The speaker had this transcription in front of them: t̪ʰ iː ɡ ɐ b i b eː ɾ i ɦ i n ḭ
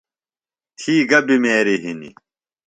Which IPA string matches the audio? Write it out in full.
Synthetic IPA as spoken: t̪ʰ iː ɡ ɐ b i m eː ɾ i ɦ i n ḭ